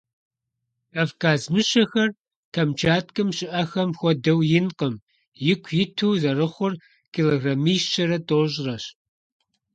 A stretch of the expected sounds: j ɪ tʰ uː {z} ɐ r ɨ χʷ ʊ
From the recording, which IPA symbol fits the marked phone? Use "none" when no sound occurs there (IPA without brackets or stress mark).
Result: z